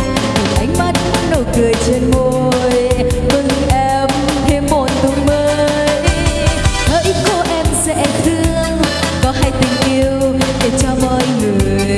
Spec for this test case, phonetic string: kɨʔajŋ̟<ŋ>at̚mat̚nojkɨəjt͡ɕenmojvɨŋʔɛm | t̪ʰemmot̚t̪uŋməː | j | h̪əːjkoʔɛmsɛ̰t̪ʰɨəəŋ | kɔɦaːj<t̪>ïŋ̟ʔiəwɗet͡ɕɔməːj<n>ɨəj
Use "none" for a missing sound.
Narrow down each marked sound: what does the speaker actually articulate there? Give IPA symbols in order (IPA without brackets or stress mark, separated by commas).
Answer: m, t̪, ŋ